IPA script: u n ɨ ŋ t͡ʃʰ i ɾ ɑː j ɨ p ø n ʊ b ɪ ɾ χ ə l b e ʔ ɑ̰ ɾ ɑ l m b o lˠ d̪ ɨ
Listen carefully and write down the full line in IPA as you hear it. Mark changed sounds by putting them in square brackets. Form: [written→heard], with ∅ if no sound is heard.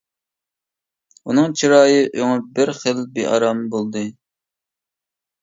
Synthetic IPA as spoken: u n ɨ ŋ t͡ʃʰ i ɾ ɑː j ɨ [p→ʔ] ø [n→ŋ] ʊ b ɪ ɾ χ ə l b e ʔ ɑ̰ ɾ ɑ [l→∅] m b o lˠ d̪ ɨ